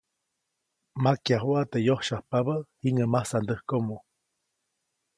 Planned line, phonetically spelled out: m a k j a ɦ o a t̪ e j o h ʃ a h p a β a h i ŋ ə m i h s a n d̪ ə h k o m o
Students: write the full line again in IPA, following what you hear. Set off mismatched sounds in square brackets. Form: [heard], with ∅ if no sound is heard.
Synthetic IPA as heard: m a k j a ɦ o a t̪ e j o h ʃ a h p a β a h i ŋ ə m [a] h s a n d̪ ə h k o m o